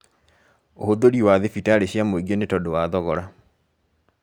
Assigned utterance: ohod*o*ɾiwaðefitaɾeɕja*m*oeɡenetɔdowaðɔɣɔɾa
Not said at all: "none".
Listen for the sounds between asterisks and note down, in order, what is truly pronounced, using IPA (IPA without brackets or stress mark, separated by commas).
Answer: o, m